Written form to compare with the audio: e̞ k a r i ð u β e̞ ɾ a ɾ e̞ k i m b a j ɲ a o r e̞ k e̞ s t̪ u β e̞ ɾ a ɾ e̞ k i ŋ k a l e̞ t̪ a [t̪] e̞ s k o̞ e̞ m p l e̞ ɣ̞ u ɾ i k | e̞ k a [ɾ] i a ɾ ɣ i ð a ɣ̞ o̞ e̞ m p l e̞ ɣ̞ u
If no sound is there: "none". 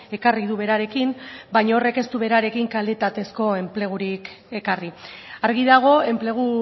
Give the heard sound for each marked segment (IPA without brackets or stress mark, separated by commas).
t̪, r